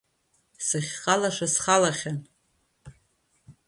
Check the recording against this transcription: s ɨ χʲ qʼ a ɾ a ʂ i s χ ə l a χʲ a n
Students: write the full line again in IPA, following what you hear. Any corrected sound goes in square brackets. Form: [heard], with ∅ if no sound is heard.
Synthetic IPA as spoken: s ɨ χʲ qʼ a [l] a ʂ [a] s χ [a] l a χʲ a n